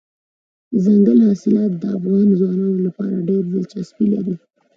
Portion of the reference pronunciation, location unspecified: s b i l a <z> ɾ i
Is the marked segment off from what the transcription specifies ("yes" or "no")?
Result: yes